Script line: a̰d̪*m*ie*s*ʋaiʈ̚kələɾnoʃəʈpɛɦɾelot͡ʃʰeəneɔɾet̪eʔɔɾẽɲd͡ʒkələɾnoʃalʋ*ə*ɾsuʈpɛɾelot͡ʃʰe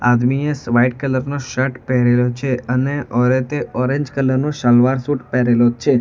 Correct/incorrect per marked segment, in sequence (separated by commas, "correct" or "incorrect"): correct, correct, incorrect